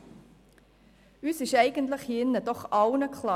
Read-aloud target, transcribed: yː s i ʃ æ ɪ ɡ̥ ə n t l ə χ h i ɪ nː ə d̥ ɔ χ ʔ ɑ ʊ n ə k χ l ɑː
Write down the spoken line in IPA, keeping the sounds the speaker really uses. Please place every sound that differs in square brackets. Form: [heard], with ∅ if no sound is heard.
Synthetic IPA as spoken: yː s [ɪ] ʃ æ ɪ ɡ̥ ə n t l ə χ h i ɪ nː ə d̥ ɔ χ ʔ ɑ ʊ n ə k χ l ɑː